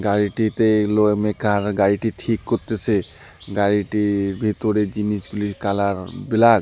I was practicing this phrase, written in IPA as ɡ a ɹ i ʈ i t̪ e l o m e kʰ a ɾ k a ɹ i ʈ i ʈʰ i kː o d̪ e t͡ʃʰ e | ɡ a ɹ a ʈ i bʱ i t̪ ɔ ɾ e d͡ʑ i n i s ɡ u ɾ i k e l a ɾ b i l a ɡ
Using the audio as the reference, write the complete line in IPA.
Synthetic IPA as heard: ɡ a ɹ i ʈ i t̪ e l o m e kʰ a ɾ ɡ a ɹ i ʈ i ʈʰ i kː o t̪ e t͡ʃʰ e | ɡ a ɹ i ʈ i bʱ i t̪ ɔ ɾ e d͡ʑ i n i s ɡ u l i k a l a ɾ b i l a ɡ